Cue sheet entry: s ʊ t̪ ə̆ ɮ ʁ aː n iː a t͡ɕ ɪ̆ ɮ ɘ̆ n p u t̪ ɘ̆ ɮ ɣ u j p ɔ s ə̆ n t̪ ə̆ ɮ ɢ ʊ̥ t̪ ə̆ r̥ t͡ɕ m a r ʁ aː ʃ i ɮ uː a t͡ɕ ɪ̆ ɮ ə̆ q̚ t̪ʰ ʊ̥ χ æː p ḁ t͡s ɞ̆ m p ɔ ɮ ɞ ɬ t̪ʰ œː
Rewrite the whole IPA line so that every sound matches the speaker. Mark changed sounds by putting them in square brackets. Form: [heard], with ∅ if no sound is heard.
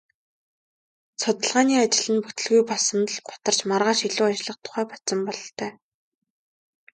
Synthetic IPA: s ʊ t̪ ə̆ ɮ ʁ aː n iː a t͡ɕ ɪ̆ ɮ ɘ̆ n p u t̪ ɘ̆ ɮ ɣ u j p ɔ s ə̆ n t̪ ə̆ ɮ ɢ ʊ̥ t̪ ə̆ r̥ t͡ɕ m a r ʁ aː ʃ i ɮ uː a t͡ɕ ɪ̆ ɮ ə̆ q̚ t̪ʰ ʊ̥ χ æː p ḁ t͡s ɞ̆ m p ɔ ɮ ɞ ɬ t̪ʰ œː